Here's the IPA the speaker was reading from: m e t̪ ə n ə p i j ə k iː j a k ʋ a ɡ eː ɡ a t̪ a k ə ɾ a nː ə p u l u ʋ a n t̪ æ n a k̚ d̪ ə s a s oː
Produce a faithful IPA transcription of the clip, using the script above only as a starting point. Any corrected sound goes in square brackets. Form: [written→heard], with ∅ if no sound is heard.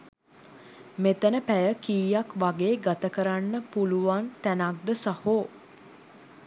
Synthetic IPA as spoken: m e t̪ ə n ə p [i→æ] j ə k iː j a k ʋ a ɡ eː ɡ a t̪ [a→ə] k ə ɾ a nː ə p u l u ʋ a n t̪ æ n a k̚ d̪ ə s a [s→h] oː